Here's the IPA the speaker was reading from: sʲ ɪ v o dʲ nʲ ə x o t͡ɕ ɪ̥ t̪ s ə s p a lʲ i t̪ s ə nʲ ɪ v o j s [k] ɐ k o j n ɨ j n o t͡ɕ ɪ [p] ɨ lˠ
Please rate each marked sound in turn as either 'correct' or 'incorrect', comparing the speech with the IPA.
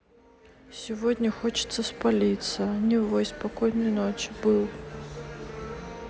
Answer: incorrect, incorrect

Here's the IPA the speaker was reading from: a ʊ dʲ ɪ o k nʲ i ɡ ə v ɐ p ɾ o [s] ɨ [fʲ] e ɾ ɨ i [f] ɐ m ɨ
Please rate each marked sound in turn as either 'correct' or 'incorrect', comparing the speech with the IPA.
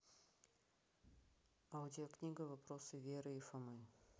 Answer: correct, incorrect, correct

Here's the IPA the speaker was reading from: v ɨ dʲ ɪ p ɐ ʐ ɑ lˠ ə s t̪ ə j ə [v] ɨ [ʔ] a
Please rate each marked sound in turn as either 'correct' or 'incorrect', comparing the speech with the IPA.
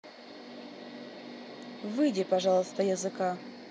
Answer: incorrect, incorrect

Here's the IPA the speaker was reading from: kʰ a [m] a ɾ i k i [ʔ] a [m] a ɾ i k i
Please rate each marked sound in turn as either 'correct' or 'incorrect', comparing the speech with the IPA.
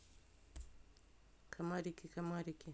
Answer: correct, incorrect, correct

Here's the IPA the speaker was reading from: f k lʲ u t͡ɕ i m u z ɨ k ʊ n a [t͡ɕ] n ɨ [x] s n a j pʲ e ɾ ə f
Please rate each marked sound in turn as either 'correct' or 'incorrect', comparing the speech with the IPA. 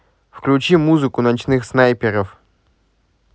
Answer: correct, correct

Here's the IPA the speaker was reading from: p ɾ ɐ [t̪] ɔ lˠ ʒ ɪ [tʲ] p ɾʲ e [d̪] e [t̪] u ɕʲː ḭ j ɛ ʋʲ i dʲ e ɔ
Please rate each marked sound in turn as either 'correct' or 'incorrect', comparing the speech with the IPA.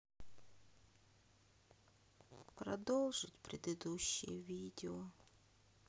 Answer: incorrect, correct, correct, incorrect

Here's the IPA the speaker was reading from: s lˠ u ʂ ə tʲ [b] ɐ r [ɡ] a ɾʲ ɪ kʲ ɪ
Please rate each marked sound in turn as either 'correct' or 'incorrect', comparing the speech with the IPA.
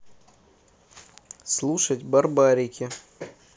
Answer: correct, incorrect

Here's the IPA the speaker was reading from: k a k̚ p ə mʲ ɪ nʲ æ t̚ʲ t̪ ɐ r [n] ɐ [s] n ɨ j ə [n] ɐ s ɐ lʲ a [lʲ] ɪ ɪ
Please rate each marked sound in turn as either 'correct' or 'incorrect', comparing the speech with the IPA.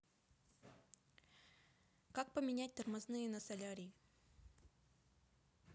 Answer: incorrect, incorrect, correct, incorrect

